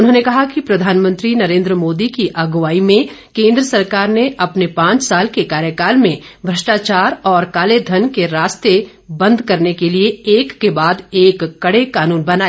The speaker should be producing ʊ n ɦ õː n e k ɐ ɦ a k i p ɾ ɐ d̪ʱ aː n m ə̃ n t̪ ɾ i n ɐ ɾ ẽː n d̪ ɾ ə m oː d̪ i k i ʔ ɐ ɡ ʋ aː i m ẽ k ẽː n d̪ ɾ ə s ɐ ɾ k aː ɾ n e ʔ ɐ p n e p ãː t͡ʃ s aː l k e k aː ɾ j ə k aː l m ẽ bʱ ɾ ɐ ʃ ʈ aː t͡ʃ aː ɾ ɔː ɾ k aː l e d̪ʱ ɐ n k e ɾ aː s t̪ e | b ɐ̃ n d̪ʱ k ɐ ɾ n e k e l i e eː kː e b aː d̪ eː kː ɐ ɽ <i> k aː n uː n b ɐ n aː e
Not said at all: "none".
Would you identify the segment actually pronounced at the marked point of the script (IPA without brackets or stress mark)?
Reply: e